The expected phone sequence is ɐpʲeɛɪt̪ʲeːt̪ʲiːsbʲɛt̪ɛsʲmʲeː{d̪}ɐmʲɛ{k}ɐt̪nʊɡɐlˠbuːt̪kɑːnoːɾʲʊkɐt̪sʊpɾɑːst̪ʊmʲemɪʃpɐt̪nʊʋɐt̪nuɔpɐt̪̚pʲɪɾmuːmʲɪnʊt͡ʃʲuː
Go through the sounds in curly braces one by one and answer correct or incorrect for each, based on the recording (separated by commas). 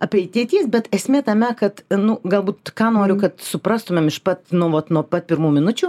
incorrect, correct